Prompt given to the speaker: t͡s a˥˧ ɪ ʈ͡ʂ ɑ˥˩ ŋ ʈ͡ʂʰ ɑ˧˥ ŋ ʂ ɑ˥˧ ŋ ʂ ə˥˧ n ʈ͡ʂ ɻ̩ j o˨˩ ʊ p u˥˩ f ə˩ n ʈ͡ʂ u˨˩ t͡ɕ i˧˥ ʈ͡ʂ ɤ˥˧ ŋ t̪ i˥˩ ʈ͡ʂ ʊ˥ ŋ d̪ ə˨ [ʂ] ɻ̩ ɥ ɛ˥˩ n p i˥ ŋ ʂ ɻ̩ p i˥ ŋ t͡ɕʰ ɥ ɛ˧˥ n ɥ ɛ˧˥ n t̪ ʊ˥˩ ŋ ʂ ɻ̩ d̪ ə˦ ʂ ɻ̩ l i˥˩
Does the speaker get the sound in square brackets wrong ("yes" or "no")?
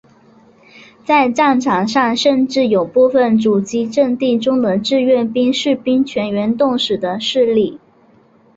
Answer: yes